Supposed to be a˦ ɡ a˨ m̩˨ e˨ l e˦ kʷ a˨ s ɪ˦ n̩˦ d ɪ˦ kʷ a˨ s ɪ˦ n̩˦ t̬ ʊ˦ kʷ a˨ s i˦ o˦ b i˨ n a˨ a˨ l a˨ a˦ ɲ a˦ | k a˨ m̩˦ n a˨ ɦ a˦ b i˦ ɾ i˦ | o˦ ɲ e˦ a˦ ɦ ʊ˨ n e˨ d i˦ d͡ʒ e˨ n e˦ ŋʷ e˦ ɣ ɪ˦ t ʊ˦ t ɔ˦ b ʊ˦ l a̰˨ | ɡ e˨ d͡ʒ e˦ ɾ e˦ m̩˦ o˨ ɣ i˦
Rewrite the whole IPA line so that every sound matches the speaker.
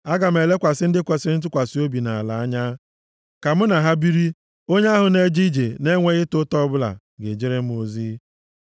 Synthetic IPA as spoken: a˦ ɡ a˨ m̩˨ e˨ l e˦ kʷ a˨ s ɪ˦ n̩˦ d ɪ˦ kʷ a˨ s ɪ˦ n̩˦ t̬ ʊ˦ kʷ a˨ s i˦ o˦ b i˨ n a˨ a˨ l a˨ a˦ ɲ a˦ | k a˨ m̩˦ n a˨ ɦ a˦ b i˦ ɾ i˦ | o˦ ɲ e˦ a˦ ɦ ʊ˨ n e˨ d͡ʒ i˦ d͡ʒ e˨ n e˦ ŋʷ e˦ ɣ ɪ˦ t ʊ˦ t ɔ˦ b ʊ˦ l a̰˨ | ɡ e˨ d͡ʒ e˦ ɾ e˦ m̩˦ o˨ z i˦